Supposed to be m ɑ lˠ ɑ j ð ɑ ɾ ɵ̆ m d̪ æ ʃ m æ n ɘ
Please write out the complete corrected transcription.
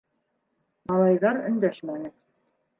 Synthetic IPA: m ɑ lˠ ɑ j ð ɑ ɾ ɵ̆ n d̪ æ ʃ m æ n ɘ